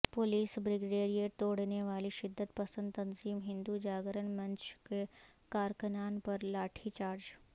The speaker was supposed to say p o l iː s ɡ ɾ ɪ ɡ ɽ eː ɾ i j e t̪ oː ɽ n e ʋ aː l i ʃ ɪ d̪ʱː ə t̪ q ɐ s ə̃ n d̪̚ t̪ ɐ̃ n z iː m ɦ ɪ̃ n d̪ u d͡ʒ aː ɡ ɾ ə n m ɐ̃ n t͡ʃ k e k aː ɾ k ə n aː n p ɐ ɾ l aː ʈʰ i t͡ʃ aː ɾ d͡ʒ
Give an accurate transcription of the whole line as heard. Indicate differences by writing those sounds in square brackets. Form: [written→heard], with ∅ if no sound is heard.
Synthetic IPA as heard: p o l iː s [ɡ→b] ɾ ɪ ɡ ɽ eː ɾ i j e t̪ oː ɽ n e ʋ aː l i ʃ ɪ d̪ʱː ə t̪ [q→p] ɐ s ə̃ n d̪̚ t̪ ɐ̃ n z iː m ɦ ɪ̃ n d̪ u d͡ʒ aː ɡ ɾ ə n m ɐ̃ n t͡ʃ k e k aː ɾ k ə n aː n p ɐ ɾ l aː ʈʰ i t͡ʃ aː ɾ d͡ʒ